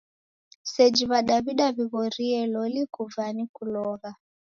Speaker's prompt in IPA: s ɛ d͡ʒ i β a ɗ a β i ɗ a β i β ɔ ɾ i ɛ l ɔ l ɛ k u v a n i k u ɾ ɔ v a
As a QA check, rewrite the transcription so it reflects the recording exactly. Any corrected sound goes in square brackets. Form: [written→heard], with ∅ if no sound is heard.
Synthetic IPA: s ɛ d͡ʒ i β a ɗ a β i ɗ a β i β ɔ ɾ i ɛ l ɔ l [ɛ→i] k u v a n i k u [ɾ→l] ɔ [v→ɣ] a

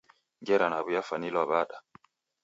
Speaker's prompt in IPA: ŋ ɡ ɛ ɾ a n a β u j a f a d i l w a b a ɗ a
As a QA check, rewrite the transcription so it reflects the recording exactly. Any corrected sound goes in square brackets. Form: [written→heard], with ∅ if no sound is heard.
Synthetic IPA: ŋ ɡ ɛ ɾ a n a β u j a f a [d→n] i l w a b a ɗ a

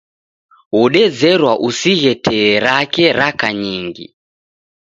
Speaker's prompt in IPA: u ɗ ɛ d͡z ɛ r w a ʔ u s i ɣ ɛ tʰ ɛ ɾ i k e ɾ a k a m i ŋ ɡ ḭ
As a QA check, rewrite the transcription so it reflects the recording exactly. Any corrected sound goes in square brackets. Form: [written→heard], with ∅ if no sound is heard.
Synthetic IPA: u ɗ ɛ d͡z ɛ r w a ʔ u s i ɣ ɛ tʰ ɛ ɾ [i→a] k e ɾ a k a [m→ɲ] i ŋ ɡ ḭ

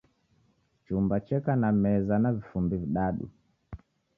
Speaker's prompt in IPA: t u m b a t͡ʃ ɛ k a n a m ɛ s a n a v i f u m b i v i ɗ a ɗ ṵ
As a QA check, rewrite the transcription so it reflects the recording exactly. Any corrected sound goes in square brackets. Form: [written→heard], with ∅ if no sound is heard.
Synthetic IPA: [t→t͡ʃ] u m b a t͡ʃ ɛ k a n a m ɛ [s→z] a n a v i f u m b i v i ɗ a ɗ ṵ

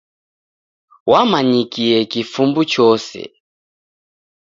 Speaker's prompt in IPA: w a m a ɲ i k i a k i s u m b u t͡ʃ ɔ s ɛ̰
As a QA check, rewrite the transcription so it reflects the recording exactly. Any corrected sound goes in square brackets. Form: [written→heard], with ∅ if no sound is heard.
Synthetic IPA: w a m a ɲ i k i [a→ɛ] k i [s→f] u m b u t͡ʃ ɔ s ɛ̰

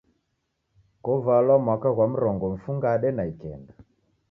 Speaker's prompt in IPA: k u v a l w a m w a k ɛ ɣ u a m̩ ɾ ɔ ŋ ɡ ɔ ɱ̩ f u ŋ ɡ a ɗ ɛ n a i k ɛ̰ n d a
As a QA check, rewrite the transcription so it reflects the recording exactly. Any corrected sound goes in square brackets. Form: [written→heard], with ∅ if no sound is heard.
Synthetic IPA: k [u→ɔ] v a l w a m w a k [ɛ→a] ɣ [u→w] a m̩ ɾ ɔ ŋ ɡ ɔ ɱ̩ f u ŋ ɡ a ɗ ɛ n a i k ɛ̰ n d a

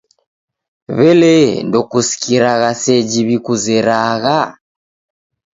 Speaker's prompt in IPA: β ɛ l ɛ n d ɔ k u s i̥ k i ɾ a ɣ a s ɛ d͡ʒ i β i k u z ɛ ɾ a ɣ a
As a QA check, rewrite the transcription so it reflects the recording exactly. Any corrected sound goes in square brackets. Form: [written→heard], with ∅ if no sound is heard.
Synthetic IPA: β ɛ l ɛ n d ɔ k u s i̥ k i ɾ a ɣ a s ɛ d͡ʒ i β i k u z ɛ ɾ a ɣ a

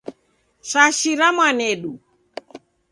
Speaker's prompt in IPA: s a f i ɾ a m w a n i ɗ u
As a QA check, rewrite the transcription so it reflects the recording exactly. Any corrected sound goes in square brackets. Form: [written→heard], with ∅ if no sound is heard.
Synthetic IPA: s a [f→ʃ] i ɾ a m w a n [i→ɛ] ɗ u

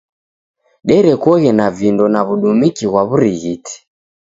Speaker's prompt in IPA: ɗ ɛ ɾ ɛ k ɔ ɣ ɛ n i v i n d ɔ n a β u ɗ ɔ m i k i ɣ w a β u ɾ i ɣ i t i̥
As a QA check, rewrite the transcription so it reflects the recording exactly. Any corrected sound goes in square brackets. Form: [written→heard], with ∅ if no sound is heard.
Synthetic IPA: ɗ ɛ ɾ ɛ k ɔ ɣ ɛ n [i→a] v i n d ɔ n a β u ɗ [ɔ→u] m i k i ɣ w a β u ɾ i ɣ i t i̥

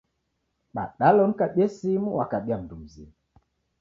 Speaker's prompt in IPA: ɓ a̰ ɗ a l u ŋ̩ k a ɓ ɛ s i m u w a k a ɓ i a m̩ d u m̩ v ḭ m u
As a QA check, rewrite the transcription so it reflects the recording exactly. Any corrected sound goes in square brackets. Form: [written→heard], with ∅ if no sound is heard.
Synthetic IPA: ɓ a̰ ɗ a l [u→ɔ] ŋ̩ k a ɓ ɛ s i m u w a k a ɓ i a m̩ d u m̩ [v→z] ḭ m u

